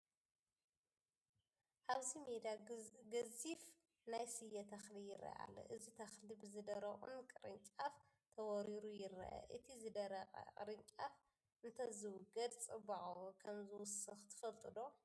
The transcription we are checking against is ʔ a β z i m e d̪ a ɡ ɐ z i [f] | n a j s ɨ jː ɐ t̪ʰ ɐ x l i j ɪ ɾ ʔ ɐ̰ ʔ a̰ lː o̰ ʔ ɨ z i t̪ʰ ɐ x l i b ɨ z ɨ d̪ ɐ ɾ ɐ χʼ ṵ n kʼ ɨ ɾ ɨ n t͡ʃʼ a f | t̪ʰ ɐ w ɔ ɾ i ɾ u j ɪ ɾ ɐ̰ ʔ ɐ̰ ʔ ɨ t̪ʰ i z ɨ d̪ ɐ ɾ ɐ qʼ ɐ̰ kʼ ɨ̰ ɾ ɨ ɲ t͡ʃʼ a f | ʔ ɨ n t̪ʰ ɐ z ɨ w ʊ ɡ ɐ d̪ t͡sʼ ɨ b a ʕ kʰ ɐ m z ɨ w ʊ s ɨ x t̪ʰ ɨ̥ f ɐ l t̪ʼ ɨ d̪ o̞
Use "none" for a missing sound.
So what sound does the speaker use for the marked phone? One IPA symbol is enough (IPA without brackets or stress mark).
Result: f